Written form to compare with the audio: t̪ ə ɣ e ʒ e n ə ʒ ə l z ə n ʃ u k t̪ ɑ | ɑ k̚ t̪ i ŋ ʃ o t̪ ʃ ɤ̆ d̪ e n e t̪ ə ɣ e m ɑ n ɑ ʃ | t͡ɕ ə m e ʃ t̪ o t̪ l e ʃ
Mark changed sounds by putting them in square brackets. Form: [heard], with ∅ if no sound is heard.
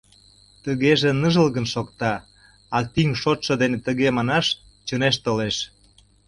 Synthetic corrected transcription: t̪ ə ɣ e ʒ e n ə ʒ ə l [ɣ] ə n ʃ [o] k t̪ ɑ | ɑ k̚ t̪ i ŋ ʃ o t̪ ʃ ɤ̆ d̪ e n e t̪ ə ɣ e m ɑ n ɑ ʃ | t͡ɕ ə [n] e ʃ t̪ o [∅] l e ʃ